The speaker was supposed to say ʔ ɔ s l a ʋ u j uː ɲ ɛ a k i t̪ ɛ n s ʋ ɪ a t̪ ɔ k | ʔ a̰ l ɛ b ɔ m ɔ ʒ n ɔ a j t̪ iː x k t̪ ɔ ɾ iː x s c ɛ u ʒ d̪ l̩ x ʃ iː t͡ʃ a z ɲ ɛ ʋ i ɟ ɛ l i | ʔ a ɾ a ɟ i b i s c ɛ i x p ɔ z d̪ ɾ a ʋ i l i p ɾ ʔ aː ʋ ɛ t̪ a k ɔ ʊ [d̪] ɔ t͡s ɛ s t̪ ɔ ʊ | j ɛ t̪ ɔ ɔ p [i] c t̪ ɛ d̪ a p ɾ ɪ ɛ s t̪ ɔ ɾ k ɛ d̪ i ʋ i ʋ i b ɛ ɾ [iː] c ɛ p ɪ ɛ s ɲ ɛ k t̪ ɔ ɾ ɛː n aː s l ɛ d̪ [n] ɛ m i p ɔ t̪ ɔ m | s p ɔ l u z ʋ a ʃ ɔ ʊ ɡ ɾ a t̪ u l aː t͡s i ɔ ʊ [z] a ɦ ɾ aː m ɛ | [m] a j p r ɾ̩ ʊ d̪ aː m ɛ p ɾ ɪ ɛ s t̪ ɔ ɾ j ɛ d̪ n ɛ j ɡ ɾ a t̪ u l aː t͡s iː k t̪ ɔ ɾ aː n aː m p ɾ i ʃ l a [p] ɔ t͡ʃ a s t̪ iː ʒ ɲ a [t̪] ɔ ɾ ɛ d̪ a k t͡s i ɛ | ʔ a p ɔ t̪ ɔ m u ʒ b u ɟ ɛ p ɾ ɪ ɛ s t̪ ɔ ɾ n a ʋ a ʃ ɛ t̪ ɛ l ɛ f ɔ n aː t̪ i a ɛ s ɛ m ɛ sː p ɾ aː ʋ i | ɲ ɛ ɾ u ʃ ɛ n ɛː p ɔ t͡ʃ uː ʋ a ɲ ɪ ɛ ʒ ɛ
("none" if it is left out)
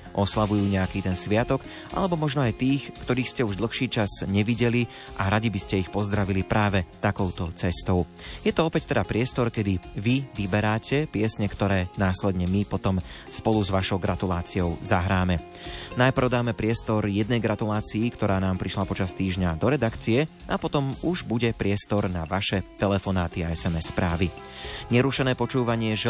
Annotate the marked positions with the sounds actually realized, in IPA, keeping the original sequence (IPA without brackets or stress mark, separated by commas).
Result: t̪, ɛ, aː, ɲ, z, n, p, d̪